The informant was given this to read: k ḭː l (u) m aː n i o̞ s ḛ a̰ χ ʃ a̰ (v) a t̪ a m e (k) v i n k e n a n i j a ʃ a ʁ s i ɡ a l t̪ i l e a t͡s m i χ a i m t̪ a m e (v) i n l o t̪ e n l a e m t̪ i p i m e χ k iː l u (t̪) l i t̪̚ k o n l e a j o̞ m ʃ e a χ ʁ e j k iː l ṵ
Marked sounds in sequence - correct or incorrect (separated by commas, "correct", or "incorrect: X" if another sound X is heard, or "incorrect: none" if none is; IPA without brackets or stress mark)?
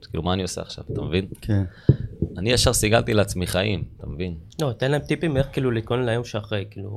correct, correct, incorrect: none, correct, incorrect: none